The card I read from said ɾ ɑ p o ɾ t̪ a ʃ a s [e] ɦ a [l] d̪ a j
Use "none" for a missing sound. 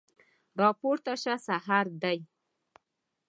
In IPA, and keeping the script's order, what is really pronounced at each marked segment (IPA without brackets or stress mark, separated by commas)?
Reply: a, ɾ